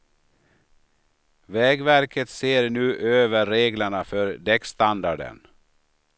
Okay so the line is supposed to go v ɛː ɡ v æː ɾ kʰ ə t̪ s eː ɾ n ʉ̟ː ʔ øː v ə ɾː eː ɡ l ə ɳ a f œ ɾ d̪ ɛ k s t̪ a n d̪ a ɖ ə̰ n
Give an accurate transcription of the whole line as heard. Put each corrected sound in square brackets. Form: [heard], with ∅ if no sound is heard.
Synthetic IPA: v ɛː ɡ v [æ] ɾ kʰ ə t̪ s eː ɾ n ʉ̟ː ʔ øː v ə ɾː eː ɡ l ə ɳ a f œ ɾ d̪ ɛ k s t̪ a n d̪ a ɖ ə̰ n